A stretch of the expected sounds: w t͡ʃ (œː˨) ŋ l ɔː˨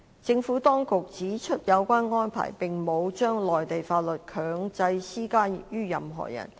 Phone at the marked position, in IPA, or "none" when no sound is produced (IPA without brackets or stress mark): œː˥